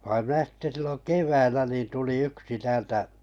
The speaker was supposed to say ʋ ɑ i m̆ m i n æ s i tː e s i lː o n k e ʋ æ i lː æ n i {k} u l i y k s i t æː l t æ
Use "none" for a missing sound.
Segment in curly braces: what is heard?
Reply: t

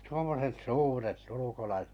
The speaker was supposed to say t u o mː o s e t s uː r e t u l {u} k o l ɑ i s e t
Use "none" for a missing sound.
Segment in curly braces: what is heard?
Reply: u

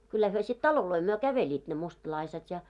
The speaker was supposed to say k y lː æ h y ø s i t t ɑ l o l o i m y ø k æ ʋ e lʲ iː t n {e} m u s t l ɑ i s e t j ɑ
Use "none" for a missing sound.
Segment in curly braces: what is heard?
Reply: e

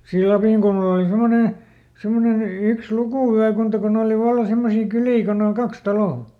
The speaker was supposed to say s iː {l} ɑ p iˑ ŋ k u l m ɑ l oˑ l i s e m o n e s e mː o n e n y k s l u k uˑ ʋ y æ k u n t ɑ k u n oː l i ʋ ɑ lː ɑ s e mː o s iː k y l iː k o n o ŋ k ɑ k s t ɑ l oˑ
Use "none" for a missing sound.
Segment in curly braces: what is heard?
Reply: l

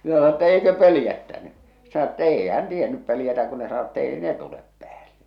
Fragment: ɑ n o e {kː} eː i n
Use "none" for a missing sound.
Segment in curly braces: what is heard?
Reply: tː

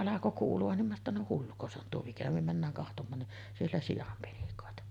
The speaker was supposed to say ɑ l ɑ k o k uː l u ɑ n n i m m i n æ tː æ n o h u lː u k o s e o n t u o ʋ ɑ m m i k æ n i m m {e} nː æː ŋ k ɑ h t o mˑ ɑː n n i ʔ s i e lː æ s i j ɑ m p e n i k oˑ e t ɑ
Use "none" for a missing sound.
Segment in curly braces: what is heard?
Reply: æ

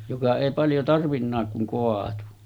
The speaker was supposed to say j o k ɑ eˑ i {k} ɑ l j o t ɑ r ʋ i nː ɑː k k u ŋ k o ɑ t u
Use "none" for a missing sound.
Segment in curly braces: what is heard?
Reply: p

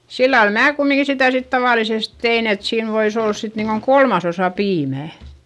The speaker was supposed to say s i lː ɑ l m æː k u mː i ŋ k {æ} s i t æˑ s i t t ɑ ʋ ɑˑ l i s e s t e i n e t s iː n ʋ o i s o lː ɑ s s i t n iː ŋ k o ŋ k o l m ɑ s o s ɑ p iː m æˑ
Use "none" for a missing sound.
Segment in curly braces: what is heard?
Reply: i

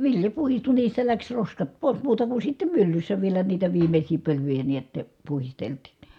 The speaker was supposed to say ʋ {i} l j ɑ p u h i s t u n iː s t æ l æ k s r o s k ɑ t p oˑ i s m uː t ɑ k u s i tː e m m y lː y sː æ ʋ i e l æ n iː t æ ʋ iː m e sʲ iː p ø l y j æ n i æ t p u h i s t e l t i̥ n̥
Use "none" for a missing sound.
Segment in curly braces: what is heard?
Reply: i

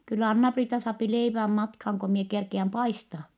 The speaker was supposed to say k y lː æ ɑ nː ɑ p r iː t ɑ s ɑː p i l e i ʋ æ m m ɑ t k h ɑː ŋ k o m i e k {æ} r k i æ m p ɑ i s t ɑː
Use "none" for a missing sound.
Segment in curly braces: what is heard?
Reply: e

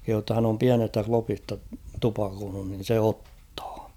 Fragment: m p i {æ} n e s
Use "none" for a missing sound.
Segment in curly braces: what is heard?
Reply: æ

